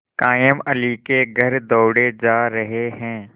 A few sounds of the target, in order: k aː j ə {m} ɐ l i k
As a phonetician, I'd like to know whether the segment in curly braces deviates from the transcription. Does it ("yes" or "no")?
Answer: no